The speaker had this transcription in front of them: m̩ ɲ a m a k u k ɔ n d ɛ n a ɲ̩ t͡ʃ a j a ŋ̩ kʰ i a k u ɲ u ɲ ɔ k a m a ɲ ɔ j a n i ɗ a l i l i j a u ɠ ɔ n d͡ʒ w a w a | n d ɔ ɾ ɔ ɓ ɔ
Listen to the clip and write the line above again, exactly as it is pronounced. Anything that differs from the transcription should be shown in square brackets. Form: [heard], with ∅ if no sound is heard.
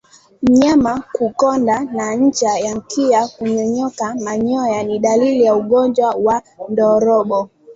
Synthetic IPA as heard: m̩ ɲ a m a k u k ɔ n d [a] n a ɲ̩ t͡ʃ a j a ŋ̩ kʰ i a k u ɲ [ɔ] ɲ ɔ k a m a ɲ ɔ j a n i ɗ a l i l i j a u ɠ ɔ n d͡ʒ w a w a | n d ɔ ɾ ɔ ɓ ɔ